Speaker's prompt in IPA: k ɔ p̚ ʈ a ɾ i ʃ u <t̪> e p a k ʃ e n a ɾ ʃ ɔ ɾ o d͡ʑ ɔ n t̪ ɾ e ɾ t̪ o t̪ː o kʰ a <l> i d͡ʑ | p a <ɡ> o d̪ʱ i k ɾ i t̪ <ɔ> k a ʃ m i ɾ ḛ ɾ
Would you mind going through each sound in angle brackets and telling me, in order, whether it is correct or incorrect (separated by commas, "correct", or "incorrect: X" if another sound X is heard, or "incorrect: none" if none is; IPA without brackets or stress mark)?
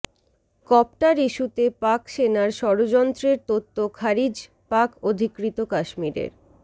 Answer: correct, incorrect: ɾ, incorrect: k, incorrect: o